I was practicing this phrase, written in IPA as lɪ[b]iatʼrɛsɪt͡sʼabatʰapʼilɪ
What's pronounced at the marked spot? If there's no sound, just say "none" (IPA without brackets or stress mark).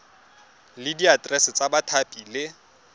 d